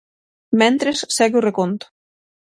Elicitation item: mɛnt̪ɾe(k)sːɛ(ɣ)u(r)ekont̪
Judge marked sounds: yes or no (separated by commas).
no, yes, yes